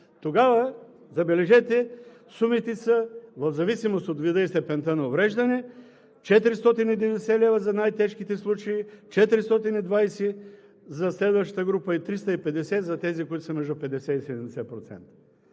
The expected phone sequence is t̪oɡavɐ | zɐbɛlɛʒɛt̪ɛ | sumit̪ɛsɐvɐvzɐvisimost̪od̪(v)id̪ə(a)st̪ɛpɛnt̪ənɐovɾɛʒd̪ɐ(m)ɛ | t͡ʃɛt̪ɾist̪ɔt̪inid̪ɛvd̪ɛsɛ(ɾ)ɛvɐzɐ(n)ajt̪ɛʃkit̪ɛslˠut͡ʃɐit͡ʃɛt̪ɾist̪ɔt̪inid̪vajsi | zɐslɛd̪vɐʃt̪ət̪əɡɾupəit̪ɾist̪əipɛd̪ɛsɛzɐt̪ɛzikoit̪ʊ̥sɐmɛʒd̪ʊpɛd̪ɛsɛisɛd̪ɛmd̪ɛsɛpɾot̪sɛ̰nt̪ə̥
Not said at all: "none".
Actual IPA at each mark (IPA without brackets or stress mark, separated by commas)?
v, i, n, l, n